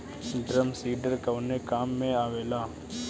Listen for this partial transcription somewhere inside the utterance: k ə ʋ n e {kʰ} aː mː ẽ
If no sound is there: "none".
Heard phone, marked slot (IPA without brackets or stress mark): k